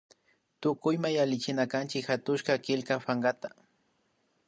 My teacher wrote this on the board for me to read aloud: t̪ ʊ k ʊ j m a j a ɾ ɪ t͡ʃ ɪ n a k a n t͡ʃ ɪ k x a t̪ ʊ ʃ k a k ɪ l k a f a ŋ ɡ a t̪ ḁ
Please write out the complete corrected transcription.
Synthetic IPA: t̪ ʊ k ʊ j m a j a l ɪ t͡ʃ ɪ n a k a n t͡ʃ ɪ k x a t̪ ʊ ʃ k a k ɪ l k a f a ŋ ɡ a t̪ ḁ